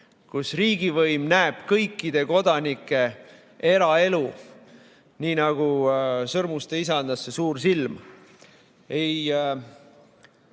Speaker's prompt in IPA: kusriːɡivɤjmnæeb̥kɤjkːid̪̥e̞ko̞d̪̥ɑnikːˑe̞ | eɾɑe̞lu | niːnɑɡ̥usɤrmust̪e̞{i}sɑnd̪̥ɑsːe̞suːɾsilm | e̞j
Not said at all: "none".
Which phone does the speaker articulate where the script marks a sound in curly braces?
i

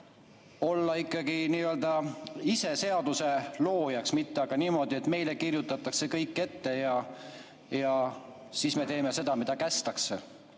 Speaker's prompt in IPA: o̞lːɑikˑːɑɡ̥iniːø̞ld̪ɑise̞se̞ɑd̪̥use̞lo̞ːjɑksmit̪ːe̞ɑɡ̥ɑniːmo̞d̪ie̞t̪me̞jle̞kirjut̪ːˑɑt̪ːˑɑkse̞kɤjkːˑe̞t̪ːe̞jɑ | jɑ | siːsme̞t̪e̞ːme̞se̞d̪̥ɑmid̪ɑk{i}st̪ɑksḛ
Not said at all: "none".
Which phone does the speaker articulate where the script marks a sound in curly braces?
æ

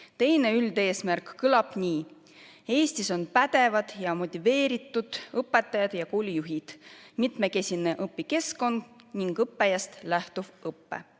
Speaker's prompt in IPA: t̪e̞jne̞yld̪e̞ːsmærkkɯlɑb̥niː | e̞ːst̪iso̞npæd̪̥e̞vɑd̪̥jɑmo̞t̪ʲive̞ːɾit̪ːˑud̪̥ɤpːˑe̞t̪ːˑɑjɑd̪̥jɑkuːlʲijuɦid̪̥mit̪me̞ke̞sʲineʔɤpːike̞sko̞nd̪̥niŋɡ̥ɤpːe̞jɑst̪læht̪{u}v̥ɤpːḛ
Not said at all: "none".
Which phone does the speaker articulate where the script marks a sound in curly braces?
u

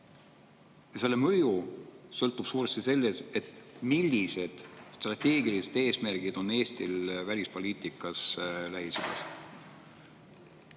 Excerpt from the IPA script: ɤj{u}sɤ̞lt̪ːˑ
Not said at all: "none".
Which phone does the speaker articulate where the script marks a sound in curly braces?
u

